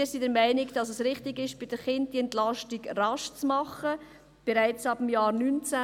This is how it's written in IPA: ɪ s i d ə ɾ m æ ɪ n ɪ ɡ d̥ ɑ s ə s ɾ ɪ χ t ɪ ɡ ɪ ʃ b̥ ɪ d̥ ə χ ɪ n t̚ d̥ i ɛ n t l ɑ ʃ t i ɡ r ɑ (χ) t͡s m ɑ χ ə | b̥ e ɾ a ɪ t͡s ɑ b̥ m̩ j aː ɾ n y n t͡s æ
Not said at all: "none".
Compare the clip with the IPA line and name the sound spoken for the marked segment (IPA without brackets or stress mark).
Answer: ʃ